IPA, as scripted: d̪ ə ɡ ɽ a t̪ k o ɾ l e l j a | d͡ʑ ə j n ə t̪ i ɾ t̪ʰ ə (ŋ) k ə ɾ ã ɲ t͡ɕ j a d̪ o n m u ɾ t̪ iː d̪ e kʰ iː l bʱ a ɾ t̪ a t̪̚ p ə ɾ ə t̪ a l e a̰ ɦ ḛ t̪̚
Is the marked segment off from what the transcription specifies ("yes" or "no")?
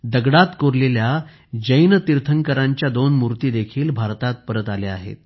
no